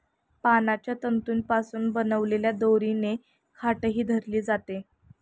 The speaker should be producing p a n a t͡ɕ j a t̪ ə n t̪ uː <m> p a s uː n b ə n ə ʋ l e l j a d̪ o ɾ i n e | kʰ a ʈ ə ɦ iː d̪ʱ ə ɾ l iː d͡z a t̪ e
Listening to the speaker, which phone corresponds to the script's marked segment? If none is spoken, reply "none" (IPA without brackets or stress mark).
n